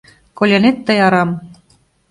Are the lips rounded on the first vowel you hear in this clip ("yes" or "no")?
yes